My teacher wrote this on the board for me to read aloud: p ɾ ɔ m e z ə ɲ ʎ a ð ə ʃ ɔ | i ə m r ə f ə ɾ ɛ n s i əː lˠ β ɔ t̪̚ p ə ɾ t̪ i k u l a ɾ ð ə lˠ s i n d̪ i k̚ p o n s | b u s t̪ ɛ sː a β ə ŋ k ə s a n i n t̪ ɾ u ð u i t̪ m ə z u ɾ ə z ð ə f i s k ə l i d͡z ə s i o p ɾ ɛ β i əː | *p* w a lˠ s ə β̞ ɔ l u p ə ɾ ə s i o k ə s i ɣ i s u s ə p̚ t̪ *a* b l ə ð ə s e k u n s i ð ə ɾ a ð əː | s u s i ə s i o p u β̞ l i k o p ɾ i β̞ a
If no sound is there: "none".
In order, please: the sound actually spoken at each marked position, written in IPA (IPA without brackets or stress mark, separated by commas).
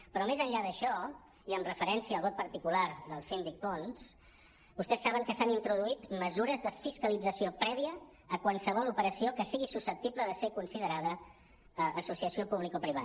k, i